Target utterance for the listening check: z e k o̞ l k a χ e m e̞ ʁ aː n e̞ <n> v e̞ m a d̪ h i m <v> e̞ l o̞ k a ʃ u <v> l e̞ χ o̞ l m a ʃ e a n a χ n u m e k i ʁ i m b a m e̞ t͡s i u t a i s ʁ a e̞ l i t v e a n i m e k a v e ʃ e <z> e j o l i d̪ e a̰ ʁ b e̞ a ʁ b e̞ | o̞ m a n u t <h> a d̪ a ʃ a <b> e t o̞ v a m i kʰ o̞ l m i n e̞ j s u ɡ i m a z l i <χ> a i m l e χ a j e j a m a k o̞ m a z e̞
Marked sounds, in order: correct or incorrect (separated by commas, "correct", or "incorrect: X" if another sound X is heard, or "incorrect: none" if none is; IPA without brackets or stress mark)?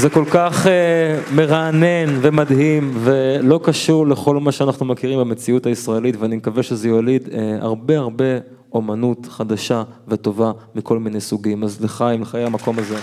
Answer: correct, correct, incorrect: ʁ, correct, incorrect: χ, incorrect: v, correct